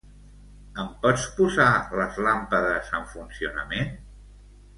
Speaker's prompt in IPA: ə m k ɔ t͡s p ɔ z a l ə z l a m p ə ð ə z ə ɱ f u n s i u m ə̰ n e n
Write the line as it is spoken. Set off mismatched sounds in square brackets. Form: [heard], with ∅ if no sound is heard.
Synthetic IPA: ə m [p] ɔ t͡s p [u] z a l ə z l a m p ə ð ə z ə ɱ f u n s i u [n] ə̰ [m] e n